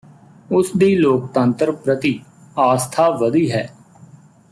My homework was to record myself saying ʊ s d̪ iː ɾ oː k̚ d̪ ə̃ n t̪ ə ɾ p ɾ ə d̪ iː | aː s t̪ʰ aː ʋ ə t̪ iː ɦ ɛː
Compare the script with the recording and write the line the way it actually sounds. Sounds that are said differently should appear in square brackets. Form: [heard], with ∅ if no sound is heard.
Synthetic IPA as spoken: ʊ s d̪ iː [l] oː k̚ [t̪] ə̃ n t̪ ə ɾ p ɾ ə [t̪] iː | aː s t̪ʰ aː ʋ ə [d̪] iː ɦ ɛː